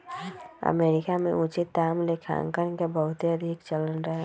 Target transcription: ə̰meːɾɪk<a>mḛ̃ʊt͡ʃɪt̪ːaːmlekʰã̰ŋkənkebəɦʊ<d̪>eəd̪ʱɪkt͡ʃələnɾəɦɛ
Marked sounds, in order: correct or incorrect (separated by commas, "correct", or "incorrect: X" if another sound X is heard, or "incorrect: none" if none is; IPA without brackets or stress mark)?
correct, incorrect: t̪